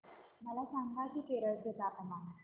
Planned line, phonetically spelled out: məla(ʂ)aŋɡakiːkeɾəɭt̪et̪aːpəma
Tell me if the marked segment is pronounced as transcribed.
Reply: no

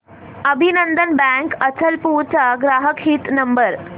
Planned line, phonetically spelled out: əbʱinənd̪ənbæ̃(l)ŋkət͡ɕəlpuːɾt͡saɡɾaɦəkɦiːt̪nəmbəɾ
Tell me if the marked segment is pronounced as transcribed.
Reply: no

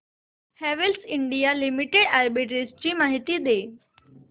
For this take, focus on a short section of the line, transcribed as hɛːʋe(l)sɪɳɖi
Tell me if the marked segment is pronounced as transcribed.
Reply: yes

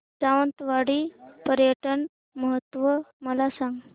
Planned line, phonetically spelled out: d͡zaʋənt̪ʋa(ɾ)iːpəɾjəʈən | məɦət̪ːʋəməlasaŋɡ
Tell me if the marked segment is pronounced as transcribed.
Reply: no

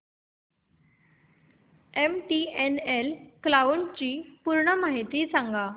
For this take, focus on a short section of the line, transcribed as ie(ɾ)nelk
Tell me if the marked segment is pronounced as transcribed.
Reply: no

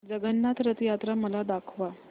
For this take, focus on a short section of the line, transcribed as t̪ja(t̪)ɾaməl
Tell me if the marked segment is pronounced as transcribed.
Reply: yes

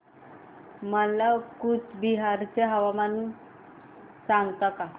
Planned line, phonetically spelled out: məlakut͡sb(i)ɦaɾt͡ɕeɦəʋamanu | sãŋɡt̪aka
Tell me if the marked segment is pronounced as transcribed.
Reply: yes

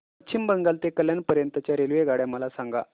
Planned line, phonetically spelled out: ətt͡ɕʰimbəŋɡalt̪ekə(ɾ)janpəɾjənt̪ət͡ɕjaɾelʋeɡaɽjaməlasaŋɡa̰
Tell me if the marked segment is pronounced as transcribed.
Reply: no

